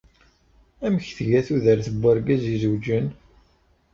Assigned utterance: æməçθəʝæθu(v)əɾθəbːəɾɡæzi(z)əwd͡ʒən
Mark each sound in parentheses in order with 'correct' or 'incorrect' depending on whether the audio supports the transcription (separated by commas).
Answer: incorrect, correct